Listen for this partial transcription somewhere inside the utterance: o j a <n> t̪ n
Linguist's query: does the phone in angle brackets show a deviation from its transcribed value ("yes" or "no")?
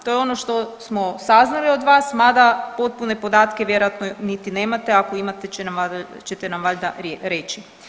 yes